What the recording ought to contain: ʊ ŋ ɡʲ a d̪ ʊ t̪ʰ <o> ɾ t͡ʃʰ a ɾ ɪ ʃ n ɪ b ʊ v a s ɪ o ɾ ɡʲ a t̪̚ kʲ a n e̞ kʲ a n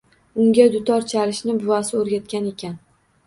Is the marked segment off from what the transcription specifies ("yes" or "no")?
yes